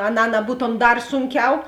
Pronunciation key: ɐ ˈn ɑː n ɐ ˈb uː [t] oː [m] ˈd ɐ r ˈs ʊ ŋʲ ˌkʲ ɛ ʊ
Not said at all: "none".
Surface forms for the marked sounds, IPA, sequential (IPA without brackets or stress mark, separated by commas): t, m